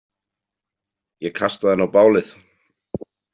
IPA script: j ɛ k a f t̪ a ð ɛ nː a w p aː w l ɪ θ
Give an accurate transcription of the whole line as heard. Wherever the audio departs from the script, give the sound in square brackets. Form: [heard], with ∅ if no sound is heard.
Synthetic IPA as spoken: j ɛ [kʰ] a [s] t̪ a ð ɛ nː a w p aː w l ɪ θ